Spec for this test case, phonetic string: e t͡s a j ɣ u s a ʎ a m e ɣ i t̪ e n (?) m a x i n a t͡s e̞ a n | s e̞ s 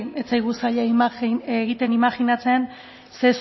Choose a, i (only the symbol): i